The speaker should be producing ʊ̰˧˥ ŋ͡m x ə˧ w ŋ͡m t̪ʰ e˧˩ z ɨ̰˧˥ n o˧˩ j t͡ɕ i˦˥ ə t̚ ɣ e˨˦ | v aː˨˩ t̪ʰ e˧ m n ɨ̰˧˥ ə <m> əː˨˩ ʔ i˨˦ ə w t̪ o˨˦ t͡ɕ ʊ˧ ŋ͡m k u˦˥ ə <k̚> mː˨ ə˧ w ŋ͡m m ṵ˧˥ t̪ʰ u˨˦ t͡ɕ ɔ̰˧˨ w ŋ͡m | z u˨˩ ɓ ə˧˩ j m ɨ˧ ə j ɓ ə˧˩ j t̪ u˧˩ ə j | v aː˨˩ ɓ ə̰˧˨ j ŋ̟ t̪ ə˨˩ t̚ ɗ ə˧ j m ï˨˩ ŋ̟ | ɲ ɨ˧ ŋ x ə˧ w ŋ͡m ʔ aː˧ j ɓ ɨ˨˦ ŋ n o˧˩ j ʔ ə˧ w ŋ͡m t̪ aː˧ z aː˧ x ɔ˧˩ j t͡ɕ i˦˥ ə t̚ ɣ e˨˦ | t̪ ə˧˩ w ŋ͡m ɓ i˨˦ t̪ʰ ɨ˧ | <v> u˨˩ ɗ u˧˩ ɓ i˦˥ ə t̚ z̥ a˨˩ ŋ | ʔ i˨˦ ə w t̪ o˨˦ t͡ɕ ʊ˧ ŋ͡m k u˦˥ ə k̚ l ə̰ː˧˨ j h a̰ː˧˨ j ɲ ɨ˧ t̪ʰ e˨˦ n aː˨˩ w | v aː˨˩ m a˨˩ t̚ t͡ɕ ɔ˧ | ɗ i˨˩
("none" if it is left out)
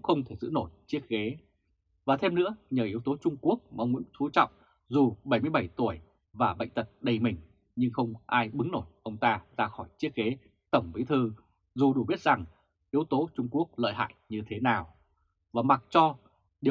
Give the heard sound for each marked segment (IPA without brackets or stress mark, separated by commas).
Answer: ɲ, k̚, z